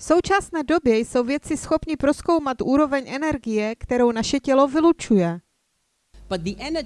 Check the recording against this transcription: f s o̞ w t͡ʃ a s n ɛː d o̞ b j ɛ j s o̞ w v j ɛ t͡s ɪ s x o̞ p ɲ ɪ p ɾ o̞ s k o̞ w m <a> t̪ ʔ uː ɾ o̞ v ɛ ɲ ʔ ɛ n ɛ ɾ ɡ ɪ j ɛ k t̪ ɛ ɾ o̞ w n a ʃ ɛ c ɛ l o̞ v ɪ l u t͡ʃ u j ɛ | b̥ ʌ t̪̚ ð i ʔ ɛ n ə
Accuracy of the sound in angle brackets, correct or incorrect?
correct